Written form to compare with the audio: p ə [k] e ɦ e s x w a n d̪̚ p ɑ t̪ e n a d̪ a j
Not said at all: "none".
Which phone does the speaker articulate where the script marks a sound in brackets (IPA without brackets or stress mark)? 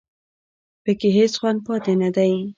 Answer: k